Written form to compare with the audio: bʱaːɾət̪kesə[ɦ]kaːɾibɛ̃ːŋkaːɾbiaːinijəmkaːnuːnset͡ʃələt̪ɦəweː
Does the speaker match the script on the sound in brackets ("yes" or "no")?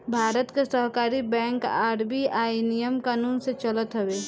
yes